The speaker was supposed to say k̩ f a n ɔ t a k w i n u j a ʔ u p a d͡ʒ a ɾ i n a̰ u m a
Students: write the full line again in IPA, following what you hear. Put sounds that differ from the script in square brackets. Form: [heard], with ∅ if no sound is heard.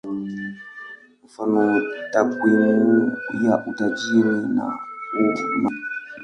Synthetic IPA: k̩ f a n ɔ t a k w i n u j a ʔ u [t] a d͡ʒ [i] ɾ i n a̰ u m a